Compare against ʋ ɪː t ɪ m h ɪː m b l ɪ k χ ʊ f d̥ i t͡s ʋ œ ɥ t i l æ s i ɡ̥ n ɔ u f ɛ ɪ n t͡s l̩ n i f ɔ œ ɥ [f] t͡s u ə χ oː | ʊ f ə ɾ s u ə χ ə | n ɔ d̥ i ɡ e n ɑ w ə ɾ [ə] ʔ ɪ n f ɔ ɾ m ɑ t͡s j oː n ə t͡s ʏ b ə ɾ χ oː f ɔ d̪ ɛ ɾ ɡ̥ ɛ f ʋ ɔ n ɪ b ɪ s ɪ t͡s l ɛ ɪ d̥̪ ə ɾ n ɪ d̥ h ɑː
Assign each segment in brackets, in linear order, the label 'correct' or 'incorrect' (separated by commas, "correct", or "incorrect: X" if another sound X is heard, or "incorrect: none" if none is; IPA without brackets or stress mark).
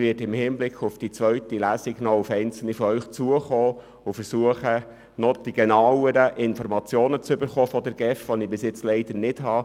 incorrect: χ, correct